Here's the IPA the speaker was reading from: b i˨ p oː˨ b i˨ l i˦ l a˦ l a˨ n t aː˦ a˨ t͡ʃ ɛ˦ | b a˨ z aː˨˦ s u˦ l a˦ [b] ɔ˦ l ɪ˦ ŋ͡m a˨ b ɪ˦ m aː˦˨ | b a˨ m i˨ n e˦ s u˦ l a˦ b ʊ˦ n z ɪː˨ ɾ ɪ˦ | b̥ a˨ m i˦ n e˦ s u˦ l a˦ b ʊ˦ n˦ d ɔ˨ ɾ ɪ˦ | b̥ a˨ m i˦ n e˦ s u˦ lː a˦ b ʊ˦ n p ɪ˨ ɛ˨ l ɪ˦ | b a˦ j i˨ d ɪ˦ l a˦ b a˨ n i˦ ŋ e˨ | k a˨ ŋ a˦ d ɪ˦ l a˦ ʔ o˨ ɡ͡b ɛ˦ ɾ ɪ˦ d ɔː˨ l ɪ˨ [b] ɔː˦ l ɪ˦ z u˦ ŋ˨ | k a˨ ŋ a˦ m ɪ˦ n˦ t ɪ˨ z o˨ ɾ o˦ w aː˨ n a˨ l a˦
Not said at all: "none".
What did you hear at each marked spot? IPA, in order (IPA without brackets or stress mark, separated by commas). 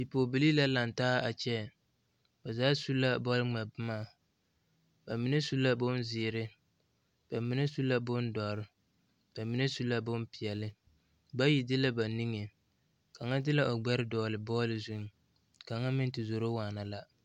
b, b